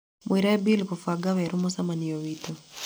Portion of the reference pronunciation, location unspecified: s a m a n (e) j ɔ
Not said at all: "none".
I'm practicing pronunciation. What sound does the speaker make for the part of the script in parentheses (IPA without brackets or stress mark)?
i